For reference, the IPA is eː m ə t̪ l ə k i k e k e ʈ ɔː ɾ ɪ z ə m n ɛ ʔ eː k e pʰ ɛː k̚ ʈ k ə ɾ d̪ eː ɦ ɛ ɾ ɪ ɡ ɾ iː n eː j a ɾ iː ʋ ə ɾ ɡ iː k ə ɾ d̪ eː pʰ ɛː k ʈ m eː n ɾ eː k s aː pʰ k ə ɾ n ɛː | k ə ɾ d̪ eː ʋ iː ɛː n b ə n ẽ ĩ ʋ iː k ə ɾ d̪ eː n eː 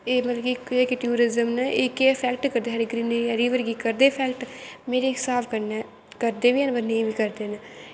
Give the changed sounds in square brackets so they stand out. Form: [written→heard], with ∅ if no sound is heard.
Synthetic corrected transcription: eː m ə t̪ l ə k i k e k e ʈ [ɔː→uː] ɾ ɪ z ə m n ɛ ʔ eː k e pʰ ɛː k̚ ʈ k ə ɾ d̪ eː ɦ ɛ ɾ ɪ ɡ ɾ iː n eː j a ɾ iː ʋ ə ɾ ɡ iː k ə ɾ d̪ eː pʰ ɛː k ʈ m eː [n→∅] ɾ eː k s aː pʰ k ə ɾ n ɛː | k ə ɾ d̪ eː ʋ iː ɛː n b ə n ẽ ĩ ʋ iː k ə ɾ d̪ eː n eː